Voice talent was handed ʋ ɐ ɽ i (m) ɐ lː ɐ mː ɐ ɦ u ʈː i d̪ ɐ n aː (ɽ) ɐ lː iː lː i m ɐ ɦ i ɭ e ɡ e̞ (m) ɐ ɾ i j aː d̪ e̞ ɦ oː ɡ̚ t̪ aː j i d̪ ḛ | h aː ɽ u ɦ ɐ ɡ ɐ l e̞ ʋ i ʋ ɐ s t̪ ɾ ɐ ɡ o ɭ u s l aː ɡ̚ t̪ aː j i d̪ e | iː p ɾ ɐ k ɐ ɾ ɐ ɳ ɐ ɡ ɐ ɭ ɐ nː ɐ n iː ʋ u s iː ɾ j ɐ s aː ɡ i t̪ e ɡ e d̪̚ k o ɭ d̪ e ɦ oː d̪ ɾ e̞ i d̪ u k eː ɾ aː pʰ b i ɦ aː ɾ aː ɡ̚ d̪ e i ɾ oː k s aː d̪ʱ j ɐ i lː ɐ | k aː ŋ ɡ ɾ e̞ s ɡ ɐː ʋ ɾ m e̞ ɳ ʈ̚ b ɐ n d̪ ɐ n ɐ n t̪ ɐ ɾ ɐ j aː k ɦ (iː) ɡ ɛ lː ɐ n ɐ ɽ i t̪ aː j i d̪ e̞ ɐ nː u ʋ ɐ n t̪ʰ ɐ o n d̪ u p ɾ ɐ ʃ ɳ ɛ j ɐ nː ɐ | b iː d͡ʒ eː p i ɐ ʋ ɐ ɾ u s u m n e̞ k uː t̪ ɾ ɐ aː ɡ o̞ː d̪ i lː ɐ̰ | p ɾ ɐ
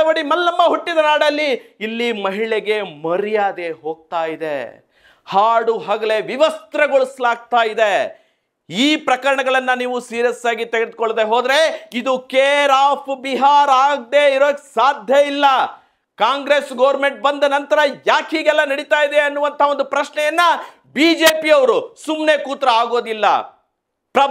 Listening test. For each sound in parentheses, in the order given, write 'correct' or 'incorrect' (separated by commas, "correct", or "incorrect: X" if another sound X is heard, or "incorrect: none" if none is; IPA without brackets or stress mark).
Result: correct, correct, correct, correct